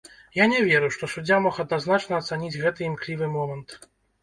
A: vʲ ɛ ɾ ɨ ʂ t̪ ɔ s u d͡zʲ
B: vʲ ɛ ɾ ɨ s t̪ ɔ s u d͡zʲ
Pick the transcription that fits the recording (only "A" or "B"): A